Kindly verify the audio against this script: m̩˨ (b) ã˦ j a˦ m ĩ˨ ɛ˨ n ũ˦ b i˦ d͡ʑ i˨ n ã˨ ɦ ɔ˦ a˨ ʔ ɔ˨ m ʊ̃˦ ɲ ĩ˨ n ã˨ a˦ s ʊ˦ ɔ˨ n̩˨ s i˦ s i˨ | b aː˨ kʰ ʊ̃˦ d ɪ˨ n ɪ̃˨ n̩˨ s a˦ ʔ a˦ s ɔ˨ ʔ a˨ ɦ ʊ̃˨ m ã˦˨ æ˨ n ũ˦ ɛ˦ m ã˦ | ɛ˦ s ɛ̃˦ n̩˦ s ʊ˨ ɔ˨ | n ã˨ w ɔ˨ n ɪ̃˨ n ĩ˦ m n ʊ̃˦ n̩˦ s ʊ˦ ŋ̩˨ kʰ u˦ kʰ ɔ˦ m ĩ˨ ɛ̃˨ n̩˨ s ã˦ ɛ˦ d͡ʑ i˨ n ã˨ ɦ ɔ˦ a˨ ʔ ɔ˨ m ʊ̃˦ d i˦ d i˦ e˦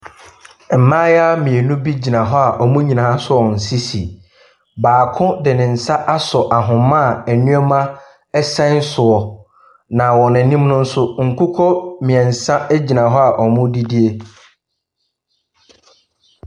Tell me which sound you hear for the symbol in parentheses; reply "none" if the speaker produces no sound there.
m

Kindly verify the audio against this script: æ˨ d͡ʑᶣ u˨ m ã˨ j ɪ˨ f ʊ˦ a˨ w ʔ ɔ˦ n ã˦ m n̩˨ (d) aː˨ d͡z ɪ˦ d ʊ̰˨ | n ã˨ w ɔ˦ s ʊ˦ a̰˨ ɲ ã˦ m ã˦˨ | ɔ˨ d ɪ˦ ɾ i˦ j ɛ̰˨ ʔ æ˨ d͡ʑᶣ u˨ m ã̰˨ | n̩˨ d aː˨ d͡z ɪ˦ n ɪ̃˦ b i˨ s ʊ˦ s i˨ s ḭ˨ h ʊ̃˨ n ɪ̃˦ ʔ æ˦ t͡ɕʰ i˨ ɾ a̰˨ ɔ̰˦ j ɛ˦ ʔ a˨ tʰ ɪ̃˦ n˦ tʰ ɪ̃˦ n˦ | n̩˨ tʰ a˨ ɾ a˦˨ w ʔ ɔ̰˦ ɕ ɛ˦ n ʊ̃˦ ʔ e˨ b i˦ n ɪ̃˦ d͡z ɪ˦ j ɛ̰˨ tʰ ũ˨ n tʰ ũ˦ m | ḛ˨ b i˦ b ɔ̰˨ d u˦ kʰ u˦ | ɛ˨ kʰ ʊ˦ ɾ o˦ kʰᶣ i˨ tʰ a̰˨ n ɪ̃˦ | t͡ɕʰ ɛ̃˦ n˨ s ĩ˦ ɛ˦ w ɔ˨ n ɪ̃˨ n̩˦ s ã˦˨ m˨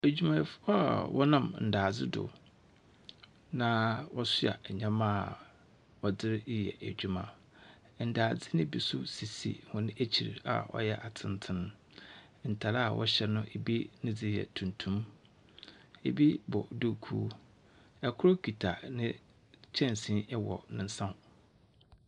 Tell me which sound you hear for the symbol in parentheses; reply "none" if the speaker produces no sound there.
d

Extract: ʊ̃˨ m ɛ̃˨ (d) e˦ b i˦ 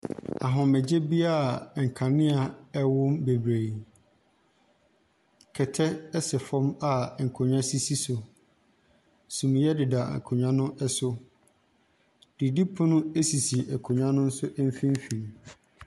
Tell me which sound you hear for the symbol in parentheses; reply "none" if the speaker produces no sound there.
d͡ʑ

